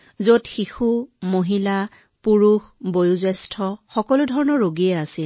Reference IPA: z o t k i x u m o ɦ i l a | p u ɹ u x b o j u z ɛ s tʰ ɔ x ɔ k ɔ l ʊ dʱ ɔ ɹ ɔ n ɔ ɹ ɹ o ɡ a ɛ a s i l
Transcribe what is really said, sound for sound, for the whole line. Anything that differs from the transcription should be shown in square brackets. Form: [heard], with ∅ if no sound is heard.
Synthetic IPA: z o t [x] i x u m o ɦ i l a | p u ɹ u x b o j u z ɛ s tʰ ɔ x ɔ k ɔ l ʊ dʱ ɔ ɹ ɔ n ɔ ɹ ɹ o ɡ [i] ɛ a s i l